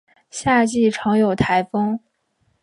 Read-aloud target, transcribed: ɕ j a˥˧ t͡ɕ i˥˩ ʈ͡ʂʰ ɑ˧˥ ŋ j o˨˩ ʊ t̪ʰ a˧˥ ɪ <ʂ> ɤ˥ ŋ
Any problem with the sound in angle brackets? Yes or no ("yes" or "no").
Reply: yes